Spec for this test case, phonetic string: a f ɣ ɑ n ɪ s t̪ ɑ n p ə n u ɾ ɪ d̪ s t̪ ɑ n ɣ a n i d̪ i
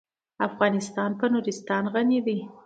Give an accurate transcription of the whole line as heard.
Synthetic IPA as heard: a f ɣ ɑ n ɪ s t̪ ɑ n p ə n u ɾ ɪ s t̪ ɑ n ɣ a n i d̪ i